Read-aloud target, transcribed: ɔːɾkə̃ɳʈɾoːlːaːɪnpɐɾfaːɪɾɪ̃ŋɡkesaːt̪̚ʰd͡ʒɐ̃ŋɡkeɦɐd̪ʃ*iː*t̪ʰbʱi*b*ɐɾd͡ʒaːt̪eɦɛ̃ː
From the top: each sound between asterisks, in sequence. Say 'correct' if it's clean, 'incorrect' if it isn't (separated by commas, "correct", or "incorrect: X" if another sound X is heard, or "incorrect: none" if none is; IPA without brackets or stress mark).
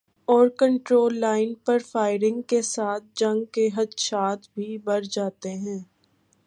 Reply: incorrect: aː, correct